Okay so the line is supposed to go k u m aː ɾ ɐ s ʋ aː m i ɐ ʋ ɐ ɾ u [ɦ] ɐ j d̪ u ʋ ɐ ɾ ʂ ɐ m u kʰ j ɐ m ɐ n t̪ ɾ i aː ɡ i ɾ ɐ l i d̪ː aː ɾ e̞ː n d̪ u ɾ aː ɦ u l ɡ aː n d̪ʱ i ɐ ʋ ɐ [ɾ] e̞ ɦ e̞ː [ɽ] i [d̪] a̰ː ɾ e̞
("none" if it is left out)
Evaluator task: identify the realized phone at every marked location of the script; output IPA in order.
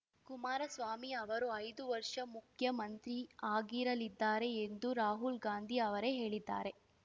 none, ɾ, ɭ, d̪ː

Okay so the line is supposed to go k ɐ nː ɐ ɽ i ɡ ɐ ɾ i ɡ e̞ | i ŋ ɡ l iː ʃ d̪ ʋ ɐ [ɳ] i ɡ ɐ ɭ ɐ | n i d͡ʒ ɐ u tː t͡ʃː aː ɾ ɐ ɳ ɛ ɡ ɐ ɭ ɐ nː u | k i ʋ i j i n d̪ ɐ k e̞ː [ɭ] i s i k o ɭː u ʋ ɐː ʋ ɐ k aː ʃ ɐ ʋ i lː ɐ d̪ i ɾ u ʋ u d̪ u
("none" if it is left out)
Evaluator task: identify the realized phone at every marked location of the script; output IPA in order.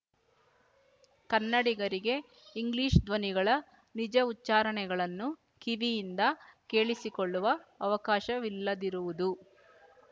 n, ɭ

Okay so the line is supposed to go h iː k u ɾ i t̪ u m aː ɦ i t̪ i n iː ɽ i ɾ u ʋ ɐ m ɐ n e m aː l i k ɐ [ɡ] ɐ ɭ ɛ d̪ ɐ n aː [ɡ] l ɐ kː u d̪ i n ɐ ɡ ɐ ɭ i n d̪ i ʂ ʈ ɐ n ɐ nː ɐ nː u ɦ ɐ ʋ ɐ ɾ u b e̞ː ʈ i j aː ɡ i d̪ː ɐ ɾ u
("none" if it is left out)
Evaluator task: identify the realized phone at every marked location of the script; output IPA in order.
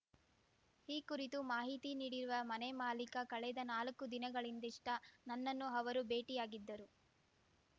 k, none

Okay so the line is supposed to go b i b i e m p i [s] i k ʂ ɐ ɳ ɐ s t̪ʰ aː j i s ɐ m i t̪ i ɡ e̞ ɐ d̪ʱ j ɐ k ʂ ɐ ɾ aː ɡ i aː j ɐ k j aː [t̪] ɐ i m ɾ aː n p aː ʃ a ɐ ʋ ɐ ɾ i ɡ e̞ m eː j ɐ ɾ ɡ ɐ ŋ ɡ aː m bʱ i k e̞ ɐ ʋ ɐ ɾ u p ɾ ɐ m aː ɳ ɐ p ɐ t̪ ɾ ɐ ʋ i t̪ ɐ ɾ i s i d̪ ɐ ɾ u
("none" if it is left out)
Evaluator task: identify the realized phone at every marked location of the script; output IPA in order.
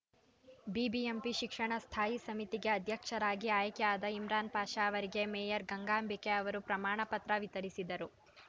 ʃ, d̪

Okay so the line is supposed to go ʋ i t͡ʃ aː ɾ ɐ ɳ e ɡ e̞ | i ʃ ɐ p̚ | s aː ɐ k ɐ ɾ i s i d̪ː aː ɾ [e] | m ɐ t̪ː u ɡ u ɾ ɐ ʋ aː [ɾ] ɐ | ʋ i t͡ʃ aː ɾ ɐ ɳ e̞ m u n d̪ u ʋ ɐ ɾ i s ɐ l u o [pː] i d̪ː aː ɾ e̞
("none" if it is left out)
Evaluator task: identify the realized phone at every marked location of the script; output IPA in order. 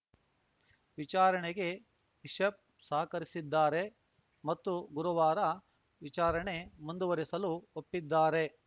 e, ɾ, pː

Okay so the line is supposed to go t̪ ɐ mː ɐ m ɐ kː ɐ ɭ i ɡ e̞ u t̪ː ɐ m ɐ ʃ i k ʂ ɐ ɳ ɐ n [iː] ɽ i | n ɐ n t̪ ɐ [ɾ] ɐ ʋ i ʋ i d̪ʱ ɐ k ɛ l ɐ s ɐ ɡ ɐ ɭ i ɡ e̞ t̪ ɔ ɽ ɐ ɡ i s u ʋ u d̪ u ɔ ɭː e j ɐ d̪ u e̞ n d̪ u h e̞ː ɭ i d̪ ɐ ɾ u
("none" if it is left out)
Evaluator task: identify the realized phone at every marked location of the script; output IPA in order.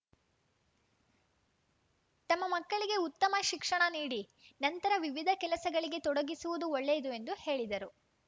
iː, ɾ

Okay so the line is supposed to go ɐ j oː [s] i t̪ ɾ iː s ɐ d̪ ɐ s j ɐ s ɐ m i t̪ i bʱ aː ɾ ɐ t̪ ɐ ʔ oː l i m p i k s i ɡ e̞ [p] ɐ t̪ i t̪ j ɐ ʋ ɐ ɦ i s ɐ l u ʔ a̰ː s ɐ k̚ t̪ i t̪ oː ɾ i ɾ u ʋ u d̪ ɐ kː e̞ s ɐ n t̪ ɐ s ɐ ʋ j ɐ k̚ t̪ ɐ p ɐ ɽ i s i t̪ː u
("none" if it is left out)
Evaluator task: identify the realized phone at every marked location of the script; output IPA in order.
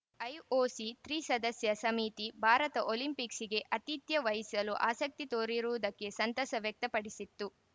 s, ʔ

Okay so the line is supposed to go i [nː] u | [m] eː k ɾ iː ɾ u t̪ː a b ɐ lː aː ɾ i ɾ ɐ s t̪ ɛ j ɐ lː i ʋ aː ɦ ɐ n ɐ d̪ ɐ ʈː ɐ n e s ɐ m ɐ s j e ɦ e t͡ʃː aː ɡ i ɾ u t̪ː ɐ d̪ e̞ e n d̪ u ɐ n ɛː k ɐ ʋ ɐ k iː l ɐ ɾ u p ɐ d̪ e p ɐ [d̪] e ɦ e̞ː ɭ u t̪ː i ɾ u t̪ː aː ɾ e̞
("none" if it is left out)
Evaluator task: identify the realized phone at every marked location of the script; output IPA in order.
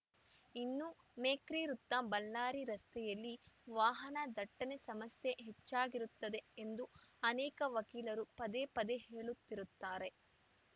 nː, m, d̪

